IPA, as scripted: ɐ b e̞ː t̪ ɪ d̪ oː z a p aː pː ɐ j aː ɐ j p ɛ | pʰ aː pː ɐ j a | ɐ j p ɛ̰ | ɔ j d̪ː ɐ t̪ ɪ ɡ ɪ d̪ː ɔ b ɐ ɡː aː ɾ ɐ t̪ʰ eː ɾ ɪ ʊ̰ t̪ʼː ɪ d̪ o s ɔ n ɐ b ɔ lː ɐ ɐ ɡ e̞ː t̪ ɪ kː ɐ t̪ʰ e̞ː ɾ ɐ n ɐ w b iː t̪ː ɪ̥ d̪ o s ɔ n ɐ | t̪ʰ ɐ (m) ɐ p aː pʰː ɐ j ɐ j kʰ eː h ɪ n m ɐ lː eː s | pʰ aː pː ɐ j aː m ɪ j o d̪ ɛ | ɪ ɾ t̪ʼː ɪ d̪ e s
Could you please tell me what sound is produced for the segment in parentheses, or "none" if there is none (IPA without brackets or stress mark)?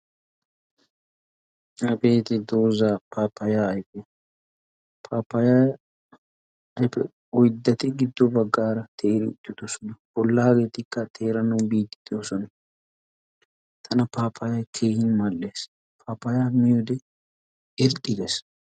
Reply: n